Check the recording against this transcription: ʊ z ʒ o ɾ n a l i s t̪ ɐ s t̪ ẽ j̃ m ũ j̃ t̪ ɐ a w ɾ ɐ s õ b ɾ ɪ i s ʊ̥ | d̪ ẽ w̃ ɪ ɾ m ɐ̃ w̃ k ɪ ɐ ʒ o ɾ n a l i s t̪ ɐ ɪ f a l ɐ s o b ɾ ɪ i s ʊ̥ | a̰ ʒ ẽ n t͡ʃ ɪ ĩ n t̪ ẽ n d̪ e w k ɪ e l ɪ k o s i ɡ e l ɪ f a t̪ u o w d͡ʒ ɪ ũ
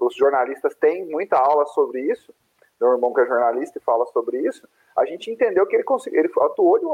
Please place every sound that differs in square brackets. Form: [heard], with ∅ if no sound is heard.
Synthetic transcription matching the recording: ʊ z ʒ o ɾ n a l i s t̪ ɐ s t̪ ẽ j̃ m ũ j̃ t̪ ɐ a w [l] ɐ s [o] b ɾ ɪ i s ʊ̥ | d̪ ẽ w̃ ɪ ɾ m ɐ̃ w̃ k ɪ ɐ ʒ o ɾ n a l i s t̪ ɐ ɪ f a l ɐ s o b ɾ ɪ i s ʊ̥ | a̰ ʒ ẽ n t͡ʃ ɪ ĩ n t̪ ẽ n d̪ e w k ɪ e l ɪ k [õ] s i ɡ e l ɪ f a t̪ u o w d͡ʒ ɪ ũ